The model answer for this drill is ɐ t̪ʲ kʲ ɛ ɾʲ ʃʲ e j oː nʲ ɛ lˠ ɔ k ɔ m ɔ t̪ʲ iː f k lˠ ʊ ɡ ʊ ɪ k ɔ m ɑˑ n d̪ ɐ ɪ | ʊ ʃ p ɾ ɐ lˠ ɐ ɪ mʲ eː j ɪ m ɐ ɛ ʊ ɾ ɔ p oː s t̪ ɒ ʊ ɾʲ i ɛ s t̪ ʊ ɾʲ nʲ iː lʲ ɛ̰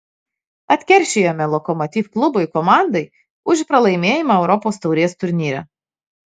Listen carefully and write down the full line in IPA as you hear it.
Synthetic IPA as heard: ɐ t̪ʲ kʲ ɛ ɾʲ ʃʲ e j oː mʲ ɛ lˠ ɔ k ɔ m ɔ t̪ʲ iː f k lˠ ʊ b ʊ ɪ k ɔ m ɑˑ n d̪ ɐ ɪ | ʊ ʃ p ɾ ɐ lˠ ɐ ɪ mʲ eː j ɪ m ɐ ɛ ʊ ɾ ɔ p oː s t̪ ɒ ʊ ɾʲ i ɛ s t̪ ʊ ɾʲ nʲ iː ɾʲ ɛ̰

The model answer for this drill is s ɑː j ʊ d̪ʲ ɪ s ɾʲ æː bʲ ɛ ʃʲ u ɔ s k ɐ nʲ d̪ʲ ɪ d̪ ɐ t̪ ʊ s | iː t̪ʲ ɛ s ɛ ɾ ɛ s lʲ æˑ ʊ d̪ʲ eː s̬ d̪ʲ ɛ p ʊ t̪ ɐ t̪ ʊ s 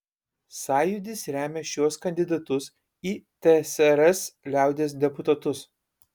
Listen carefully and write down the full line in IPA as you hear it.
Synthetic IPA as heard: s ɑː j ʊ d̪ʲ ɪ s ɾʲ æː mʲ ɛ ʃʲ u ɔ s k ɐ nʲ d̪ʲ ɪ d̪ ɐ t̪ ʊ s | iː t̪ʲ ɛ s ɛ ɾ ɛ s lʲ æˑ ʊ d̪ʲ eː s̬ d̪ʲ ɛ p ʊ t̪ ɐ t̪ ʊ s

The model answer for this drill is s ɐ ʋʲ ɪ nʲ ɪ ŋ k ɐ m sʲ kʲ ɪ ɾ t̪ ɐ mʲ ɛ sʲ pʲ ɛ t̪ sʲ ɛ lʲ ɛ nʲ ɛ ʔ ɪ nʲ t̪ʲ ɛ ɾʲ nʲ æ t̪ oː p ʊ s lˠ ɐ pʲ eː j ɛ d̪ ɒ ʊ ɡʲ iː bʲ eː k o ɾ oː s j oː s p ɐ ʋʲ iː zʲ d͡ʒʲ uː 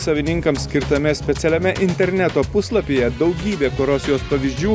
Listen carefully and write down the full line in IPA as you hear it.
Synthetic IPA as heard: s ɐ ʋʲ ɪ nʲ ɪ ŋ k ɐ m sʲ kʲ ɪ ɾ t̪ ɐ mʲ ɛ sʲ pʲ ɛ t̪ sʲ ɛ lʲ ɛ mʲ ɛ ʔ ɪ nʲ t̪ʲ ɛ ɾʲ nʲ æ t̪ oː p ʊ s lˠ ɐ pʲ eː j ɛ d̪ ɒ ʊ ɡʲ iː bʲ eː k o ɾ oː s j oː s p ɐ ʋʲ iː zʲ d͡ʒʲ uː

